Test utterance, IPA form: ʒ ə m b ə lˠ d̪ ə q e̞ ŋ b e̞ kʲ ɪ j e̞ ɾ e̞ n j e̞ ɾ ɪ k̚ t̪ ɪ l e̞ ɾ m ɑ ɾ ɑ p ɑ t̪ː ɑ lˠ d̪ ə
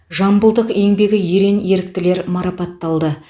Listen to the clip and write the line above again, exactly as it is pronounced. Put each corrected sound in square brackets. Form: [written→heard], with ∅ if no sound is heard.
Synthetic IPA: ʒ [ə→ɑ] m b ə lˠ d̪ ə q e̞ ŋ b e̞ [kʲ→ɡʲ] ɪ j e̞ ɾ e̞ n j e̞ ɾ ɪ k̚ t̪ ɪ l e̞ ɾ m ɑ ɾ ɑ p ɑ t̪ː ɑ lˠ d̪ ə